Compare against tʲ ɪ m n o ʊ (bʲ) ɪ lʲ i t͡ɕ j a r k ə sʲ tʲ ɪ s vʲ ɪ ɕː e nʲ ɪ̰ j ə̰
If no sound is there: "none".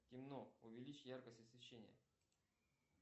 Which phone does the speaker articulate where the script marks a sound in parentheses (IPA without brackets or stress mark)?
vʲ